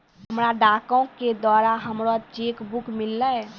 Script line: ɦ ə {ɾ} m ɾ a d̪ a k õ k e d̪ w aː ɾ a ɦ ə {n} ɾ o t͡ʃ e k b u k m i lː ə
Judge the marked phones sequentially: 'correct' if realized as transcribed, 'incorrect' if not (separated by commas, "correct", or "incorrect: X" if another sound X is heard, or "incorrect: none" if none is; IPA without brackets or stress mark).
incorrect: none, incorrect: m